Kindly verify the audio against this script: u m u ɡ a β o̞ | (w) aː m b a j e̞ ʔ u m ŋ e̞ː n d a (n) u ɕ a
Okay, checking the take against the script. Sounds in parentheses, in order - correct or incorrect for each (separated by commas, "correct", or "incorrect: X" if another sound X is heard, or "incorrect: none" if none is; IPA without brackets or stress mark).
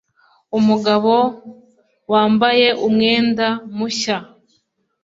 correct, incorrect: m